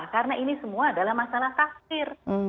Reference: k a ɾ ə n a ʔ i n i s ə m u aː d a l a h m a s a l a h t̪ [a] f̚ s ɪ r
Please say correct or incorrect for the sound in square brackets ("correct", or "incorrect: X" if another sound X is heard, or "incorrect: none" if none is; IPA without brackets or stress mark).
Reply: correct